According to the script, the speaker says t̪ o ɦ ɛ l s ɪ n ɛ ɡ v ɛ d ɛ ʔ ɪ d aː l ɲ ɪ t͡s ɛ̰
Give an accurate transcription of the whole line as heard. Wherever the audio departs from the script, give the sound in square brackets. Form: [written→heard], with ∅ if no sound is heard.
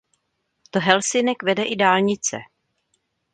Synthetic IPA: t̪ o ɦ ɛ l s ɪ n ɛ [ɡ→k] v ɛ d ɛ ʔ ɪ d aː l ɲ ɪ t͡s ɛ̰